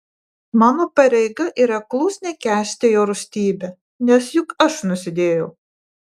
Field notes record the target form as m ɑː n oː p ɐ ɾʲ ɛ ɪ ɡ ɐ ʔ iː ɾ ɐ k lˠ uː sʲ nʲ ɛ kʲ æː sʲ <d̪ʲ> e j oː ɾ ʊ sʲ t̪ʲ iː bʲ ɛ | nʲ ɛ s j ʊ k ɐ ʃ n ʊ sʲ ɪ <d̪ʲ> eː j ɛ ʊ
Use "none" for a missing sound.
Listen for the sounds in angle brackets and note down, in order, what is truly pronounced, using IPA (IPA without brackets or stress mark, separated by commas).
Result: t̪ʲ, d̪ʲ